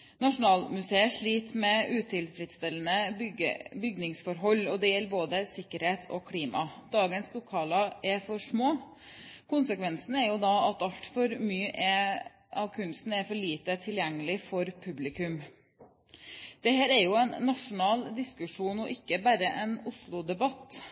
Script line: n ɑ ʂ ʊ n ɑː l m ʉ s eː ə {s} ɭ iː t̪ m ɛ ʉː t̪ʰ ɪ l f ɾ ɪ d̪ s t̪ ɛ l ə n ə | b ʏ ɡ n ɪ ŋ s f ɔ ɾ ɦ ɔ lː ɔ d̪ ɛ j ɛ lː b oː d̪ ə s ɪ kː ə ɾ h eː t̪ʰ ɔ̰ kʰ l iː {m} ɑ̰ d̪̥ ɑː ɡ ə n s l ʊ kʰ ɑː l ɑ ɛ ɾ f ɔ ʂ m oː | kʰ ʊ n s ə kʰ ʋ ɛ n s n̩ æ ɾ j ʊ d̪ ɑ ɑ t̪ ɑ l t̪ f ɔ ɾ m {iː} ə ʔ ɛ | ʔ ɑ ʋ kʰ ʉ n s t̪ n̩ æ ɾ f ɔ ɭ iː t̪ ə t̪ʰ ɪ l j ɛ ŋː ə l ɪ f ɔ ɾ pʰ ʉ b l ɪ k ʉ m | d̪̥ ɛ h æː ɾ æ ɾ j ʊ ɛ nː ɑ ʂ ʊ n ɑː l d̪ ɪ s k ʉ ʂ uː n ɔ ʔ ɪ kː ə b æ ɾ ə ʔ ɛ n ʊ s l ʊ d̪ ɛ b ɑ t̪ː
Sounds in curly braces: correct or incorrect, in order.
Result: incorrect, correct, incorrect

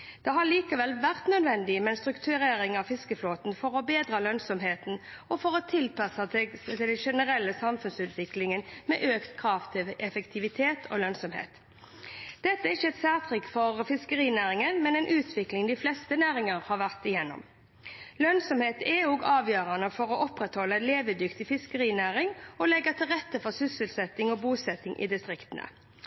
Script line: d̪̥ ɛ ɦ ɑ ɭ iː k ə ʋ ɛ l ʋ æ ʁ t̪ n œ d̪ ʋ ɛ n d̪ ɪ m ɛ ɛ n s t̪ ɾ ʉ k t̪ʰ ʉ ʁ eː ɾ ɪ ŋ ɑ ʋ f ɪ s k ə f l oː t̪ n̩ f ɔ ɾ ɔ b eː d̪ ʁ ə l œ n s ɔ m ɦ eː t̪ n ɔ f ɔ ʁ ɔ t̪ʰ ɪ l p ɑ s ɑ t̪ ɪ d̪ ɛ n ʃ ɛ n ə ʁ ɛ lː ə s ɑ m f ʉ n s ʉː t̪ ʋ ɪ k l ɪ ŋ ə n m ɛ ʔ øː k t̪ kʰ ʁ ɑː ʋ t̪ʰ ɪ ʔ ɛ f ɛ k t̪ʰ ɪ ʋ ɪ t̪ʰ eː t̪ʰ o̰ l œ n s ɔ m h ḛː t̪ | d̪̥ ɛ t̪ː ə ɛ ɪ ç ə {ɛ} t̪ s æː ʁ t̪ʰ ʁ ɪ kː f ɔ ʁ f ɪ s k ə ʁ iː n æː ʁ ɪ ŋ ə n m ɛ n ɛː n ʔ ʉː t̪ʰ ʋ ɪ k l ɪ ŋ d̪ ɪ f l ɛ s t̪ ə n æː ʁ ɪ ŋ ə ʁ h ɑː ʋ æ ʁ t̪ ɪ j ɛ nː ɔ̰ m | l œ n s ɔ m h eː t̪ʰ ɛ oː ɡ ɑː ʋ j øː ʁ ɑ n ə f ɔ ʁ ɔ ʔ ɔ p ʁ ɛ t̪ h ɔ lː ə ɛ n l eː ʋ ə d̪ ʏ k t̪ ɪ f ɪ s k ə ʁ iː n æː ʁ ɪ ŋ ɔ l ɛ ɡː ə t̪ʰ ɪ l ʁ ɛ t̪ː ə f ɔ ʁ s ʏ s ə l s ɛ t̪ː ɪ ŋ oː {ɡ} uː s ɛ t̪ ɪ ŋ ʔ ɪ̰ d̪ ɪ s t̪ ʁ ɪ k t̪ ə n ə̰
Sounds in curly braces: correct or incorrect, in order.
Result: correct, incorrect

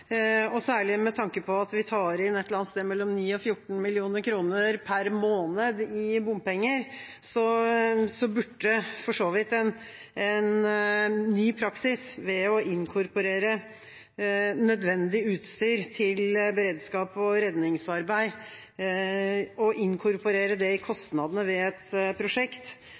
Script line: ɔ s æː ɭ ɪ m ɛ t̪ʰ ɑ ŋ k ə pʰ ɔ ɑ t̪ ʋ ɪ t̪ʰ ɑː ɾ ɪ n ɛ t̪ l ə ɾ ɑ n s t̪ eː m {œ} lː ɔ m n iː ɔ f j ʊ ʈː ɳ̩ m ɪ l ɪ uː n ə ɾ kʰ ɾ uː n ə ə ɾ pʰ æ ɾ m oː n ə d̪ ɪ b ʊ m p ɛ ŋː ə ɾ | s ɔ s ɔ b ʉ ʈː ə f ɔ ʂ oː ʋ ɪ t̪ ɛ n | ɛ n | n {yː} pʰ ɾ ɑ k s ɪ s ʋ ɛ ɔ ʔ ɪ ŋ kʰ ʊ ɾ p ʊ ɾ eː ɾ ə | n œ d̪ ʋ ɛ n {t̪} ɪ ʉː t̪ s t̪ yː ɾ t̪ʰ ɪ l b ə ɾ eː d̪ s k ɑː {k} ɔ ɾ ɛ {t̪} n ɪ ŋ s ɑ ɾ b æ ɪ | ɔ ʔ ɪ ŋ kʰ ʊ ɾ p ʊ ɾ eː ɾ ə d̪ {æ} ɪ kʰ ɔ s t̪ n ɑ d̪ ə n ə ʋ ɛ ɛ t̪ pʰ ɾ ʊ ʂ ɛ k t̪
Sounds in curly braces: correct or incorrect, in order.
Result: incorrect, correct, incorrect, incorrect, incorrect, incorrect

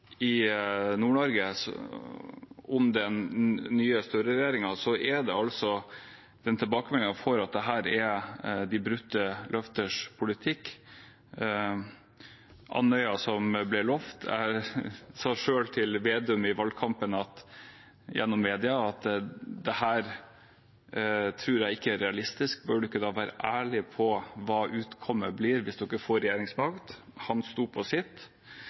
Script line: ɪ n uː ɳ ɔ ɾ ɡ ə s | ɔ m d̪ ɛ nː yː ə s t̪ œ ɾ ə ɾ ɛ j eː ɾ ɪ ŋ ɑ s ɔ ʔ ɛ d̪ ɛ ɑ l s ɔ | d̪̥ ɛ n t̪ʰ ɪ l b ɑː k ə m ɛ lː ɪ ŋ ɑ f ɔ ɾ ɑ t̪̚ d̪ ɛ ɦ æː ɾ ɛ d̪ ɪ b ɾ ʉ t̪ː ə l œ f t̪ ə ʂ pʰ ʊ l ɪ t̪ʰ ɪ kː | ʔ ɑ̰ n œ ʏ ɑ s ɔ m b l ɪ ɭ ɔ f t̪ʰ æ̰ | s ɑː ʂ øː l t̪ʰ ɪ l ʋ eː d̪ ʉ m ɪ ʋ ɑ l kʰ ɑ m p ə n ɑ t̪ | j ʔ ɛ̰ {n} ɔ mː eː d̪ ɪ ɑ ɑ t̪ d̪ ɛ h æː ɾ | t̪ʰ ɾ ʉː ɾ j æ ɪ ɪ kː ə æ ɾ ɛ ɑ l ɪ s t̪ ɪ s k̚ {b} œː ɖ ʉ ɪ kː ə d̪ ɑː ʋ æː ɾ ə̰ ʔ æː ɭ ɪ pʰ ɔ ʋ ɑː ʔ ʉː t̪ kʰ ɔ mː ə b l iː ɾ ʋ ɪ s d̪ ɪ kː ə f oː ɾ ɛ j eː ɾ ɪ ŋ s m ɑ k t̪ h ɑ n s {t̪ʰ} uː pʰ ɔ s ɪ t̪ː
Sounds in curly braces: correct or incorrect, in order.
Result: incorrect, correct, incorrect

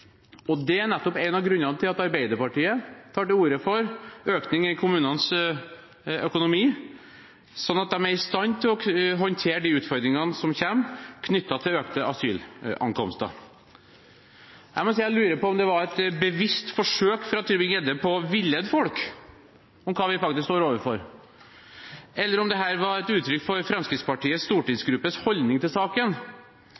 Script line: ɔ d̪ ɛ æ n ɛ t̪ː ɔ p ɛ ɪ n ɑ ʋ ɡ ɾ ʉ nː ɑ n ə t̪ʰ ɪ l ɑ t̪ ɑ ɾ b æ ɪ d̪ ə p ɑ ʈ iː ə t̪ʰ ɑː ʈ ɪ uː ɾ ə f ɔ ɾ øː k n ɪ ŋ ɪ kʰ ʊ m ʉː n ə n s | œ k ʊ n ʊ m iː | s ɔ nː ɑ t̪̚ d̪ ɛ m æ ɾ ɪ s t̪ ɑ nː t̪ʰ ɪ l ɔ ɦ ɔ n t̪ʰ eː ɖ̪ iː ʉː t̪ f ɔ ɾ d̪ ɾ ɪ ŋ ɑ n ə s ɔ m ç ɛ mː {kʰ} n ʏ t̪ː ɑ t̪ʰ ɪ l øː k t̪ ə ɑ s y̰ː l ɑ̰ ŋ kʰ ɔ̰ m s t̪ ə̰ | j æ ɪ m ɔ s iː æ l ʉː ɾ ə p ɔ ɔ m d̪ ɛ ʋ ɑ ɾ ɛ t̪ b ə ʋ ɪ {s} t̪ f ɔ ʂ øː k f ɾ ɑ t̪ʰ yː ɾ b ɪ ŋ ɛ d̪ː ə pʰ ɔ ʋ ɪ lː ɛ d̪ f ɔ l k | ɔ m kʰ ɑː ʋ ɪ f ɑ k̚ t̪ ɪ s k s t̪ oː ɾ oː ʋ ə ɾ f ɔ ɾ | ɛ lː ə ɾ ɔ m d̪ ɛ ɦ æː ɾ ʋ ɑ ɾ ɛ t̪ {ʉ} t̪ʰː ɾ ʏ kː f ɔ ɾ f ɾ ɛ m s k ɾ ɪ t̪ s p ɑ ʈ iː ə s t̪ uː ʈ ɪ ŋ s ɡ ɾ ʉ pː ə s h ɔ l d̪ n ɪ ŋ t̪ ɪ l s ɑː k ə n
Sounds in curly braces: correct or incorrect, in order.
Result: correct, correct, incorrect

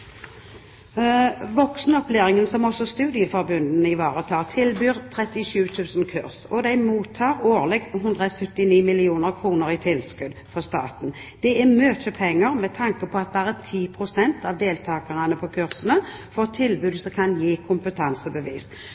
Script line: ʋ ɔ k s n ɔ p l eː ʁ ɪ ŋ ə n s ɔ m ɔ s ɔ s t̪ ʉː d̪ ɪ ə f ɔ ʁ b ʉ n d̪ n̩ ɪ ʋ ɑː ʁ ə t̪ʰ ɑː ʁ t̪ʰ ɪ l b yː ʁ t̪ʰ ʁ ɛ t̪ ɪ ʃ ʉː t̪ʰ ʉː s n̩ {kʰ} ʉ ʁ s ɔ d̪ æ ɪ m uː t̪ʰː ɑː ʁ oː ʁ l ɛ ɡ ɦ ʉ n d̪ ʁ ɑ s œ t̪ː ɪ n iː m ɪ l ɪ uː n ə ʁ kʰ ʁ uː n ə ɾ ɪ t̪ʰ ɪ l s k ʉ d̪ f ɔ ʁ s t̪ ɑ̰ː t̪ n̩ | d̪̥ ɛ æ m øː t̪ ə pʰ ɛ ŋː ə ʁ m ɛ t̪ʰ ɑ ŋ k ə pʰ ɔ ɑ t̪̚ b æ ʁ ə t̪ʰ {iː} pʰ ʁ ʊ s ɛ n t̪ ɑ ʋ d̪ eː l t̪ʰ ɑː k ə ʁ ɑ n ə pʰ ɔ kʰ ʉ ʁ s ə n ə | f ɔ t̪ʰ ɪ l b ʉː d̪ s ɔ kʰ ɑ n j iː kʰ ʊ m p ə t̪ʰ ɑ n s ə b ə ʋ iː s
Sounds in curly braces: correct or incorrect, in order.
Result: correct, correct

